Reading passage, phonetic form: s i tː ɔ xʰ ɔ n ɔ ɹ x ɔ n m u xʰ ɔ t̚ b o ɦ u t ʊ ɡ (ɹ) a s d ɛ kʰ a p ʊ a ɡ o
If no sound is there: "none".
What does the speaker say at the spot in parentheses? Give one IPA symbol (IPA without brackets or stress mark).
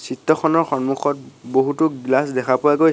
l